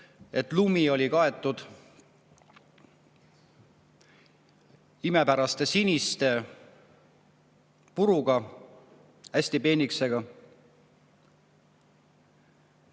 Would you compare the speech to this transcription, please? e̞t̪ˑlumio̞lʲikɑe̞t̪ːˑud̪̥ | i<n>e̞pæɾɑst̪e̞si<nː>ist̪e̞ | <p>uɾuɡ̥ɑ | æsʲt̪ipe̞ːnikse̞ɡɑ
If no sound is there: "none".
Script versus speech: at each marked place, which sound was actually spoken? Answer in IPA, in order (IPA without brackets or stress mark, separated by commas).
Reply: m, n, p